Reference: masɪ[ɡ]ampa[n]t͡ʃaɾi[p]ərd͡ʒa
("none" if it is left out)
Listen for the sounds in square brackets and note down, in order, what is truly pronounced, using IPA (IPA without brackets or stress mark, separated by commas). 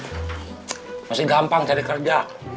ɡ, ŋ, k